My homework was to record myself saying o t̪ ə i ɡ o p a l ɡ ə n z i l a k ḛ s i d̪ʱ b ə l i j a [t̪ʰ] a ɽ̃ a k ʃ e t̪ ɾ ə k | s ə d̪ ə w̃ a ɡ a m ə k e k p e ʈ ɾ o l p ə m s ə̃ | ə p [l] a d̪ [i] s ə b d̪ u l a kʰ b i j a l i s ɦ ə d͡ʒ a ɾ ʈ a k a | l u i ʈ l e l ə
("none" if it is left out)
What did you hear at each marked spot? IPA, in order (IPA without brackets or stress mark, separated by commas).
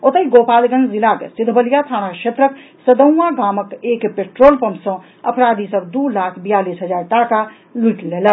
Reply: t̪ʰ, ɾ, i